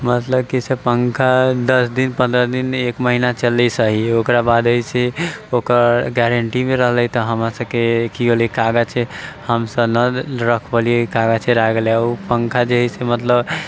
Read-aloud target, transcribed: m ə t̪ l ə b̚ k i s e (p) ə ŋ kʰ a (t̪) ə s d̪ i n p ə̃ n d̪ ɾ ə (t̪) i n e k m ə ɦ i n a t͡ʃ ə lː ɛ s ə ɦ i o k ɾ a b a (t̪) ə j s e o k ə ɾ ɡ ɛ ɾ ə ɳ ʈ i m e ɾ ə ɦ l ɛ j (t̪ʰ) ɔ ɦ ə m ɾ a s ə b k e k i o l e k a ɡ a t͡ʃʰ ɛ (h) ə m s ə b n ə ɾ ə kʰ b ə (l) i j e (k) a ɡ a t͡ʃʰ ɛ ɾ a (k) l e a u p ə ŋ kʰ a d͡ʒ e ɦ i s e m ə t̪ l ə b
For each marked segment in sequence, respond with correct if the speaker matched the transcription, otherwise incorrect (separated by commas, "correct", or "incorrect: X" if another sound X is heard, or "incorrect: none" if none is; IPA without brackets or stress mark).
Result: correct, incorrect: d̪, incorrect: d̪, incorrect: d̪, incorrect: t̪, correct, correct, correct, incorrect: ɡ